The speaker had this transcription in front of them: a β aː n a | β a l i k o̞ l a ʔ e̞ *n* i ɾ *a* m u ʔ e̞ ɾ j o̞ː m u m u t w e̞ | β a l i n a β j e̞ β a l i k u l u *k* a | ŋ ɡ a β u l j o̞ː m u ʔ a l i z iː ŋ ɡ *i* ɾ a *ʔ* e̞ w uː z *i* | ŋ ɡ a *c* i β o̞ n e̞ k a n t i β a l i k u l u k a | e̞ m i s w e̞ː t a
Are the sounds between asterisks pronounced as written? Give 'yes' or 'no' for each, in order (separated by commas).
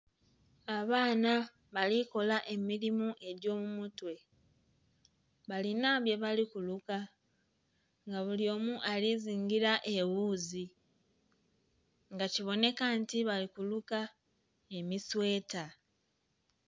no, no, yes, yes, yes, yes, yes